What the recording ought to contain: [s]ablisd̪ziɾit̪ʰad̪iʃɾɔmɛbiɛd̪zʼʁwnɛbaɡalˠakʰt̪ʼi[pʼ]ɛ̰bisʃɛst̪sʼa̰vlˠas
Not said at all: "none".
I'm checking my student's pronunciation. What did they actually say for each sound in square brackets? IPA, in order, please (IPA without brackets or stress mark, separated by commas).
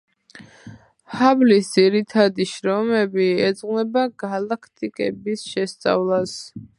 h, kʼ